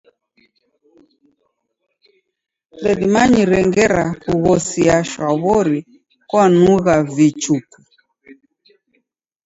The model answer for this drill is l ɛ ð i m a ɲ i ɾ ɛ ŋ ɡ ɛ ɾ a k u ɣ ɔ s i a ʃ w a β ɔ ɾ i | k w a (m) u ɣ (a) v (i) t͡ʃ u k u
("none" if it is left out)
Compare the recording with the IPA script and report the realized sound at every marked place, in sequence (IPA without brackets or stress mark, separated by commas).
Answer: n, a, i